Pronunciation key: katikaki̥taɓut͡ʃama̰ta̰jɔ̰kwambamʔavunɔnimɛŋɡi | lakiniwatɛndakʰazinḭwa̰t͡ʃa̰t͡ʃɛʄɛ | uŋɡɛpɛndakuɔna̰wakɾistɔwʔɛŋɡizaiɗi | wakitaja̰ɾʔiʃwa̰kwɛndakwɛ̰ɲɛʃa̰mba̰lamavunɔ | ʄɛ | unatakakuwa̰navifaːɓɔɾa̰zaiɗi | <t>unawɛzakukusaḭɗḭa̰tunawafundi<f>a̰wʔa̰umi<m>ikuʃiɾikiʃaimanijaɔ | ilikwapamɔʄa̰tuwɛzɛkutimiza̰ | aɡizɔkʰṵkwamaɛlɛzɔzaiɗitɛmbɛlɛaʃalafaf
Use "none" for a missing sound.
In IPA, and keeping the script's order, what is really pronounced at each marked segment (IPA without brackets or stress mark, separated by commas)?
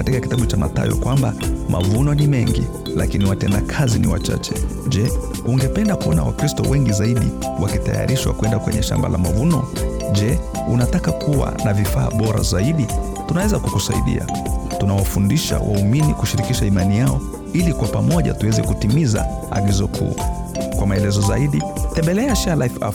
t, ʃ, n